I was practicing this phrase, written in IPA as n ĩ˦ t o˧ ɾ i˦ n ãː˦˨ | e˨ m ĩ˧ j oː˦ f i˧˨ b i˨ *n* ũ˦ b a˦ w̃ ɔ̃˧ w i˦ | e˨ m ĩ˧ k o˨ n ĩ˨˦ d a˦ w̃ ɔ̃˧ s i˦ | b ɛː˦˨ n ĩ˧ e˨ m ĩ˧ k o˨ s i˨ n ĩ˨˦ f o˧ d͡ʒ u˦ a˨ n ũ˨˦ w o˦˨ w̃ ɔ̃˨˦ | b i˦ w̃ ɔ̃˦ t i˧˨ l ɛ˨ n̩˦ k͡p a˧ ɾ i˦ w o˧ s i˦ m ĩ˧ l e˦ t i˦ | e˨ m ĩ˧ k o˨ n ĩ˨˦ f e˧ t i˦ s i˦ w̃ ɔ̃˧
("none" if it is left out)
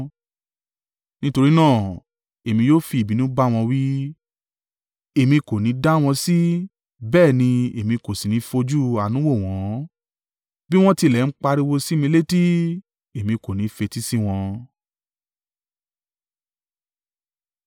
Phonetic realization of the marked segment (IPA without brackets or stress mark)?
n